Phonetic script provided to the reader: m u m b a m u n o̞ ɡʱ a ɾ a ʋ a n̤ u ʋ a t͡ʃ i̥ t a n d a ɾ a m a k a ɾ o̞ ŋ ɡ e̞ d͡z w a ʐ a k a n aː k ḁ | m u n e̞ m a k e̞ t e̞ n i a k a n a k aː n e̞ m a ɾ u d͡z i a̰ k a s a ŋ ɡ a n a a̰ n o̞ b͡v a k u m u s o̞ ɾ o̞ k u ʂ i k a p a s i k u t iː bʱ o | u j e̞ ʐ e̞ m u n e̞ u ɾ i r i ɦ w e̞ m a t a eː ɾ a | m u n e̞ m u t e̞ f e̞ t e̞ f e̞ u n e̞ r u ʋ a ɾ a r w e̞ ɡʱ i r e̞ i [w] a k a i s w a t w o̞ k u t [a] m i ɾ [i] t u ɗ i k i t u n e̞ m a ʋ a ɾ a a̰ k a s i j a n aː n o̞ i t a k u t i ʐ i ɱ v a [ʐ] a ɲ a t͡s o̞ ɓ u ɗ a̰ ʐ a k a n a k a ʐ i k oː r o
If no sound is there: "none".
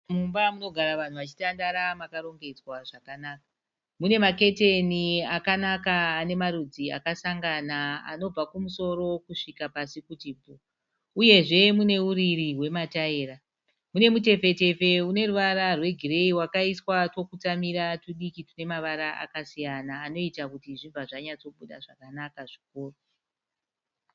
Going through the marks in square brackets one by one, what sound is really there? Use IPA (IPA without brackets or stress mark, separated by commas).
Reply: w, a, a, ʐ